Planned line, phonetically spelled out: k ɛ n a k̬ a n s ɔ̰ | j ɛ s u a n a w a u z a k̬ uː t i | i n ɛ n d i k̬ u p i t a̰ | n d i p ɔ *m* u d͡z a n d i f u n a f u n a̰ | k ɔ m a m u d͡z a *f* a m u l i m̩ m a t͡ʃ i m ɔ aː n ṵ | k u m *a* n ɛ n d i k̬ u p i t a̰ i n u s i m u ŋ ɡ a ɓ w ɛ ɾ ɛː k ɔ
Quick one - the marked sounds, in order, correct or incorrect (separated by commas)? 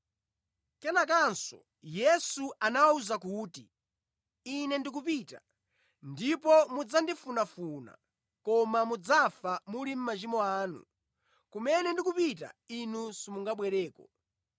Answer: correct, correct, incorrect